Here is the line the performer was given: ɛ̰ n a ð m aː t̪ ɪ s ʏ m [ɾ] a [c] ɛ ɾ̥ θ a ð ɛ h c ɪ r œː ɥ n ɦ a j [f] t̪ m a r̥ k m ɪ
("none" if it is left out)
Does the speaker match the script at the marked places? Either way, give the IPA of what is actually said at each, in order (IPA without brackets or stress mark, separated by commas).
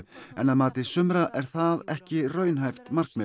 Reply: ɾ, ʔ, f